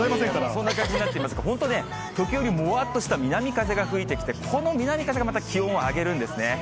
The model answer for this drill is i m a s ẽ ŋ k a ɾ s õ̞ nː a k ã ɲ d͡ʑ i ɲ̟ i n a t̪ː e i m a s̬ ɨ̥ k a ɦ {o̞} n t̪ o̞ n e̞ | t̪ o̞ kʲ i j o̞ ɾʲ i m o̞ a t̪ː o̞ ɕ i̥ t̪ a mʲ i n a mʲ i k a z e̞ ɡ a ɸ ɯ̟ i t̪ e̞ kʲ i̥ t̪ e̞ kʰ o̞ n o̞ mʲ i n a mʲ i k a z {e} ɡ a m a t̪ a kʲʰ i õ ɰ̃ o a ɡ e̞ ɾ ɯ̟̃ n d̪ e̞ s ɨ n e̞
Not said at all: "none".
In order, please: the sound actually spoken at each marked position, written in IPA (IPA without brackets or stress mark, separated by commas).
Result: õ̞, e